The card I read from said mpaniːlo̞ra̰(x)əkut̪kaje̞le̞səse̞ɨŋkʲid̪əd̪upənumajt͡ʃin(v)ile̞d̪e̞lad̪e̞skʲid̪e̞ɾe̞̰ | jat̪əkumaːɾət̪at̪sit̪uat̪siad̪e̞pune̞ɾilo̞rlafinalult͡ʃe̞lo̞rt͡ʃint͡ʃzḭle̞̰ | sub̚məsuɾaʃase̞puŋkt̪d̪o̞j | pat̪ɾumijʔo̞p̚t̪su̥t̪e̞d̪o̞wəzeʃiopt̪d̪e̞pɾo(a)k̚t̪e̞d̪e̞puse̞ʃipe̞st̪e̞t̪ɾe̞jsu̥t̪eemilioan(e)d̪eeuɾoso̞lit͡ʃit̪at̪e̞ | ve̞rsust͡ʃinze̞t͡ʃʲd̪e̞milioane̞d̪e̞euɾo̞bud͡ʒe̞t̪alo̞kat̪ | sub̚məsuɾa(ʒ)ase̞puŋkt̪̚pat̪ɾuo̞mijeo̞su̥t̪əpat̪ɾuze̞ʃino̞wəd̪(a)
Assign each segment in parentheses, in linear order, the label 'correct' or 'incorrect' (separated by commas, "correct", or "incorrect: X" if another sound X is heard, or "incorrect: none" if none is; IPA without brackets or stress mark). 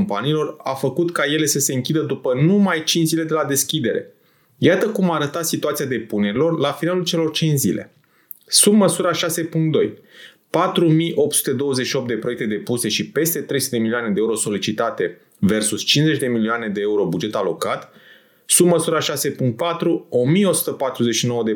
incorrect: f, incorrect: z, incorrect: e, correct, incorrect: ʃ, incorrect: e